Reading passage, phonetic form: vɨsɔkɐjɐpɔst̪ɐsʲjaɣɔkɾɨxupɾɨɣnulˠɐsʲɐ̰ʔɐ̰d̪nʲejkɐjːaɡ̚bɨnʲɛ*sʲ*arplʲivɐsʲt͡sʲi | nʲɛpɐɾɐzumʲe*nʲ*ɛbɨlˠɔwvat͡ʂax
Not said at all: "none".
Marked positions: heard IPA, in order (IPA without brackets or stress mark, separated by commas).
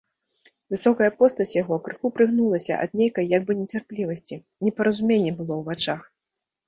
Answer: t͡sʲ, nʲː